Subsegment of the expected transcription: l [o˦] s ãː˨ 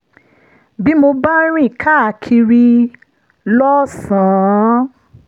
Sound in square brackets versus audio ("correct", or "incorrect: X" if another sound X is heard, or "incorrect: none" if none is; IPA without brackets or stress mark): incorrect: ɔ˦